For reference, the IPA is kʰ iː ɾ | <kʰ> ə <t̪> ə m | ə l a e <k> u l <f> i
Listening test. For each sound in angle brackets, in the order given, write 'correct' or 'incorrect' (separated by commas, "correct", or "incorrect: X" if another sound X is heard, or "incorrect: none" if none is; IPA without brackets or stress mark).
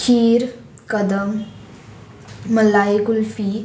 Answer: incorrect: k, incorrect: d̪, correct, correct